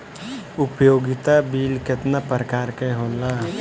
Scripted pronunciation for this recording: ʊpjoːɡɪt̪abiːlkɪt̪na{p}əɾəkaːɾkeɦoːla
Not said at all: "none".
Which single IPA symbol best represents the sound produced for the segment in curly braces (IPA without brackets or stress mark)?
p